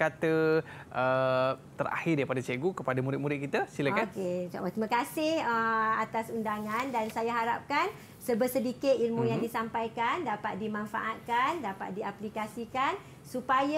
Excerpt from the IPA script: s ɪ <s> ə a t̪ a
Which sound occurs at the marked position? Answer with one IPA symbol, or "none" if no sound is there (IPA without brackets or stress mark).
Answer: h